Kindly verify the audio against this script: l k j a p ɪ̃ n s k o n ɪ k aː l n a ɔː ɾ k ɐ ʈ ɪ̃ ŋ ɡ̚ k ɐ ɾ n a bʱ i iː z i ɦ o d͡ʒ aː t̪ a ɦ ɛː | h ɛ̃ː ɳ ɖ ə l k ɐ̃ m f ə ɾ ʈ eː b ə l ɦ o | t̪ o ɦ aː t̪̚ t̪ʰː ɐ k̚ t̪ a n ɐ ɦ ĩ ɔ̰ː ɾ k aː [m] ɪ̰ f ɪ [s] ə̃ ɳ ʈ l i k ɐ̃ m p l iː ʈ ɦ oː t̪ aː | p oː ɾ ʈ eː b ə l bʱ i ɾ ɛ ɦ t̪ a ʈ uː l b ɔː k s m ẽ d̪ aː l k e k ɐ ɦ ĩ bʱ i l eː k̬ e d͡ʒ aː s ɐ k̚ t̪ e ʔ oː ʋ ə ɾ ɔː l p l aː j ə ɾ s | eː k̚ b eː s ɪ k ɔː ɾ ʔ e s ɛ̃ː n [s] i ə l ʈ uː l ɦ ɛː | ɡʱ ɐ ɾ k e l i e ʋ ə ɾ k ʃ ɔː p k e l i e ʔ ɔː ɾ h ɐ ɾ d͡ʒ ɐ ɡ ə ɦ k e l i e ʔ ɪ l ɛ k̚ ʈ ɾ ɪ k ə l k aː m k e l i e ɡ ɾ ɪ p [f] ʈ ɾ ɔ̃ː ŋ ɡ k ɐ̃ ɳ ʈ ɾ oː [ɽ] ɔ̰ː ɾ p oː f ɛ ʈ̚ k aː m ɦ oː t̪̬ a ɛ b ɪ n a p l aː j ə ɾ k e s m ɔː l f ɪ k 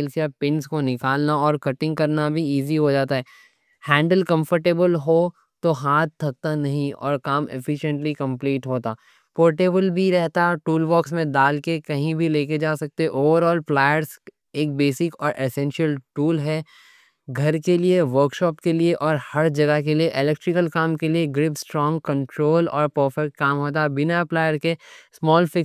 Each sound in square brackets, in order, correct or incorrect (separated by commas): correct, incorrect, incorrect, incorrect, incorrect